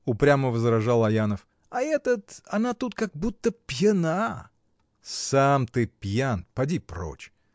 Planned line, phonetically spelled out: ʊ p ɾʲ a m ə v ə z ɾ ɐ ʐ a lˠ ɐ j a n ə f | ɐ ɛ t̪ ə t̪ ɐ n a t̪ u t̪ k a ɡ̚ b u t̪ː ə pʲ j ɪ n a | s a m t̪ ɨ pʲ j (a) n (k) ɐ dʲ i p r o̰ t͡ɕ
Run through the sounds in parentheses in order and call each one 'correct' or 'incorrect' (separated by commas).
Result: correct, incorrect